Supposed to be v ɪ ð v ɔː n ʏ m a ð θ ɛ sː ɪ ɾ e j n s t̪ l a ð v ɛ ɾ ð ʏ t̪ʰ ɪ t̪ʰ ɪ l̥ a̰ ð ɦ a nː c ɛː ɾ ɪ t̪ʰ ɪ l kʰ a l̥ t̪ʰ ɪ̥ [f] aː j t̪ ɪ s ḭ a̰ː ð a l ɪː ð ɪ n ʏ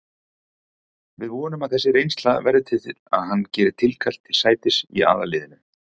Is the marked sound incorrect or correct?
incorrect